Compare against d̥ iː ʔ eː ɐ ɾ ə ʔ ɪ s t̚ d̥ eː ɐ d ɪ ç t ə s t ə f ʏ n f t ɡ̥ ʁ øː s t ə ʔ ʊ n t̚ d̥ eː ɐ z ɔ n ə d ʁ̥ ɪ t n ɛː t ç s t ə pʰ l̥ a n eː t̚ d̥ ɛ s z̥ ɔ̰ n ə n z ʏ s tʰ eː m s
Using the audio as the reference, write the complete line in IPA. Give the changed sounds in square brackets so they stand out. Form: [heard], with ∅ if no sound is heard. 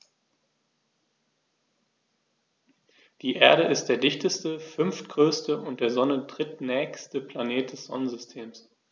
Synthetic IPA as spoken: d̥ iː ʔ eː ɐ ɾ ə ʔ ɪ s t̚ d̥ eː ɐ d ɪ ç t ə s t ə f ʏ n f t ɡ̥ ʁ øː s t ə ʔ ʊ n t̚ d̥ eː ɐ z ɔ n ə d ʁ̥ ɪ t n ɛː [∅] ç s t ə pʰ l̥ a n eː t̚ d̥ ɛ s z̥ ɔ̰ n ə n z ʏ s tʰ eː m s